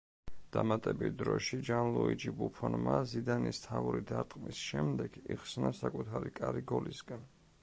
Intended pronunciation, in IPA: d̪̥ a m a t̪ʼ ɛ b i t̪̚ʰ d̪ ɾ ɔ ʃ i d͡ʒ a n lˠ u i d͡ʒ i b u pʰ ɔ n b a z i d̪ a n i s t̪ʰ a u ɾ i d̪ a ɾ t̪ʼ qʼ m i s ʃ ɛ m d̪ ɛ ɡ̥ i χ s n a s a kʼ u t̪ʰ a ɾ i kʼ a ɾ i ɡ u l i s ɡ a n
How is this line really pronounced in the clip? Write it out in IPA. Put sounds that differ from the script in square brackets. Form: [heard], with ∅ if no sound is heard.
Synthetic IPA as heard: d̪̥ a m a t̪ʼ ɛ b i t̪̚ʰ d̪ ɾ ɔ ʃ i d͡ʒ a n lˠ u i d͡ʒ i b u pʰ ɔ n [m] a z i d̪ a n i s t̪ʰ a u ɾ i d̪ a ɾ t̪ʼ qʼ m i s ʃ ɛ m d̪ ɛ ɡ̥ i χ s n a s a kʼ u t̪ʰ a ɾ i kʼ a ɾ i ɡ [ɔ] l i s ɡ a n